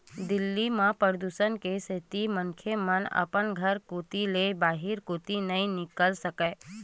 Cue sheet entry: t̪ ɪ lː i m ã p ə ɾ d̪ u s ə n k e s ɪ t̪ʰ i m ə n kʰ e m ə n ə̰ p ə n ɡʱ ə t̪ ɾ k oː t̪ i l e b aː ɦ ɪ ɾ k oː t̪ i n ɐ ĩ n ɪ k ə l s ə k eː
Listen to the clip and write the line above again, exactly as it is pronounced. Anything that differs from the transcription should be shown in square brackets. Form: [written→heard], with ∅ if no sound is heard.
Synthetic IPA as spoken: [t̪→d̪] ɪ lː i m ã p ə ɾ d̪ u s ə n k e s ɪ [t̪ʰ→t̪] i m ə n kʰ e m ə n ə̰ p ə n ɡʱ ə [t̪→∅] ɾ k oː t̪ i l e b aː ɦ ɪ ɾ k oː t̪ i n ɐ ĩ n ɪ k ə l s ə k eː